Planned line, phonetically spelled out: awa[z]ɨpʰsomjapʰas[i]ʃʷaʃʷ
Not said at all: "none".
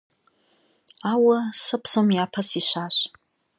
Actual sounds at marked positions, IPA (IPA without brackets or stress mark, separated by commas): s, i